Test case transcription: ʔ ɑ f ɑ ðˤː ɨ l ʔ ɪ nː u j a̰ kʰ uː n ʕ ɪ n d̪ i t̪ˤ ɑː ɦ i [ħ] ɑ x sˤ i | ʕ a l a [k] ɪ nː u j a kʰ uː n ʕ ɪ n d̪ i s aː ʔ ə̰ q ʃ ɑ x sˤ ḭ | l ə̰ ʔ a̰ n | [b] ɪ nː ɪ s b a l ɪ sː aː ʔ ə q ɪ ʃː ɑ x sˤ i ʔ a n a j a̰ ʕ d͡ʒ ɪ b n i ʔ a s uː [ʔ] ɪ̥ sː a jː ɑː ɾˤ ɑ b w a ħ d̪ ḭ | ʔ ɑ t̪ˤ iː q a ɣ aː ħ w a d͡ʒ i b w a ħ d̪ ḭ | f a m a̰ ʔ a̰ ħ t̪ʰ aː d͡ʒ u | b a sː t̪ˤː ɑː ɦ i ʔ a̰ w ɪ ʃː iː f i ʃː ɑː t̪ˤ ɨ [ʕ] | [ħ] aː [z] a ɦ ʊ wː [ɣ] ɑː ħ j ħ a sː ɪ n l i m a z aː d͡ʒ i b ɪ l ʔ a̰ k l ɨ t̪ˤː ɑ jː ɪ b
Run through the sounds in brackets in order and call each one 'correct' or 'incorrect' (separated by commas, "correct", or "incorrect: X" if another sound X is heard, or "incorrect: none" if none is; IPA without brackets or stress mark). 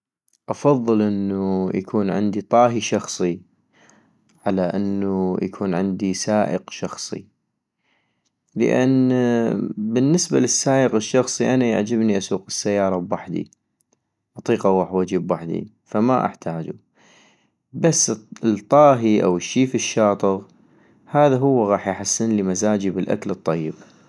incorrect: ʃ, incorrect: ʔ, correct, incorrect: q, incorrect: ɣ, incorrect: h, incorrect: ð, correct